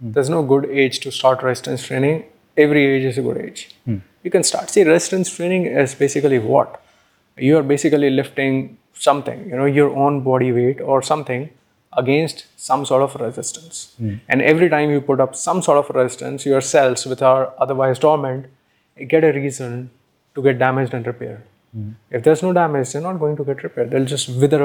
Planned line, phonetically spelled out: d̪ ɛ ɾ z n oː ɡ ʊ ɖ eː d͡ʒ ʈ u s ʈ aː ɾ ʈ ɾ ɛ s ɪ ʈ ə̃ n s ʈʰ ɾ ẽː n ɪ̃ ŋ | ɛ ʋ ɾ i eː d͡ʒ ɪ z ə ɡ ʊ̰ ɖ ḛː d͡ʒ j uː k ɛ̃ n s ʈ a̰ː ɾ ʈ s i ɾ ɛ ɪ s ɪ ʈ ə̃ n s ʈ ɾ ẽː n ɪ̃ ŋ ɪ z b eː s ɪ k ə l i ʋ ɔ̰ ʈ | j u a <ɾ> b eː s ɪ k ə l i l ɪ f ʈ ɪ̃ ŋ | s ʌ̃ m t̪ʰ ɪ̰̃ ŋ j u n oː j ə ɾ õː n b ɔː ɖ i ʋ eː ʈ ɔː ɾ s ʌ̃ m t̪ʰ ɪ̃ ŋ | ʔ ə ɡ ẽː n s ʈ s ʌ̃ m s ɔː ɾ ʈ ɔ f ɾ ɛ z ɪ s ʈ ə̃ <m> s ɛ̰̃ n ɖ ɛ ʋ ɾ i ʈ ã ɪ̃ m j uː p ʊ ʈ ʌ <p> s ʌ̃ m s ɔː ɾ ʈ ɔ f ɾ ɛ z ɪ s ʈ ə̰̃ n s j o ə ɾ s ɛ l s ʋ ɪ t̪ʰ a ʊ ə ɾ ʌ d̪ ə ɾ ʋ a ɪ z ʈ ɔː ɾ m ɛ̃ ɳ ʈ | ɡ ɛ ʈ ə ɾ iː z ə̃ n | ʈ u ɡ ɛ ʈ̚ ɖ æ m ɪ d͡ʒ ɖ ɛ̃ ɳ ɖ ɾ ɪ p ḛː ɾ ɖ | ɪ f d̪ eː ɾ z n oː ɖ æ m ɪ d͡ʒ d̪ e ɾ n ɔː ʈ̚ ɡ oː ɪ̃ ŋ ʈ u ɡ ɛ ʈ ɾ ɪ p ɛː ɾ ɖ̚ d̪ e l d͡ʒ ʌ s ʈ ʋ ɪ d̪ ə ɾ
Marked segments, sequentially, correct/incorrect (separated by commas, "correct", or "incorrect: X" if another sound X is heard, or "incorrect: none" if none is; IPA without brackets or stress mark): correct, incorrect: n, correct